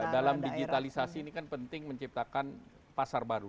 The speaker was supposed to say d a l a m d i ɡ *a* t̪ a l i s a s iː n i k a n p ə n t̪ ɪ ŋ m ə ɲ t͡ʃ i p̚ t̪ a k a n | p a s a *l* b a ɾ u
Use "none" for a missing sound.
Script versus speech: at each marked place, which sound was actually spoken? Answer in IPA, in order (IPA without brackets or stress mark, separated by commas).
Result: i, r